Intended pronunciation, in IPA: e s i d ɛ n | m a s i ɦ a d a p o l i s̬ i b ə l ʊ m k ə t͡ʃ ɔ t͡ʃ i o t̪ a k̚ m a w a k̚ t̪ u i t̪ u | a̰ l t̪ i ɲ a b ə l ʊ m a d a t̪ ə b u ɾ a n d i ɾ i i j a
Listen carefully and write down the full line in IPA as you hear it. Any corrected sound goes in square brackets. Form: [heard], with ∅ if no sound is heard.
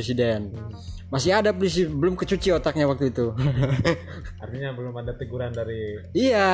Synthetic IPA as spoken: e s i d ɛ n | m a s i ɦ a d a p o l i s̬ i b ə l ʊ m k ə t͡ʃ [u] t͡ʃ i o t̪ a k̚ [ɲ] a w a k̚ t̪ u i t̪ u | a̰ [r] t̪ i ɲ a b ə l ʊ m a d a t̪ ə [ɡ] u ɾ a n d [a] ɾ i i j a